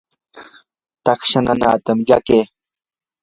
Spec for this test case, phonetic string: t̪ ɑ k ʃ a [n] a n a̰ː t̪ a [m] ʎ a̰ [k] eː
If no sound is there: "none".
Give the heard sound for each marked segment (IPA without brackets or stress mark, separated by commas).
n, m, k